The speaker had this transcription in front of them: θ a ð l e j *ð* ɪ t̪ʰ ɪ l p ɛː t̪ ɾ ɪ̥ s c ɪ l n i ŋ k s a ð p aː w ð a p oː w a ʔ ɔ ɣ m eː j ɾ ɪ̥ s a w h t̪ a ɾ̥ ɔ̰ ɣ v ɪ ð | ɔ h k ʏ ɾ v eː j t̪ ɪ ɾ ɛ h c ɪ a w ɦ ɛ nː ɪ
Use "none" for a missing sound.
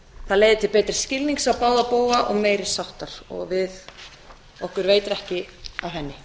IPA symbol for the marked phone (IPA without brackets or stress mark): ð